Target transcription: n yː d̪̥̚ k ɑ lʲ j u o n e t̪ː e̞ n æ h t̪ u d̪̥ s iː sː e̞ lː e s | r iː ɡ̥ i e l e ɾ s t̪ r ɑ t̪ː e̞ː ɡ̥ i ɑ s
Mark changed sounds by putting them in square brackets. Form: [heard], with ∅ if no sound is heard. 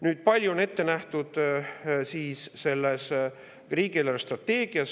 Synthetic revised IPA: n yː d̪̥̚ [p] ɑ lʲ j u o n e t̪ː e̞ n æ h t̪ u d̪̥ s iː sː e̞ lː e s | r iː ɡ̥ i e l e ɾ s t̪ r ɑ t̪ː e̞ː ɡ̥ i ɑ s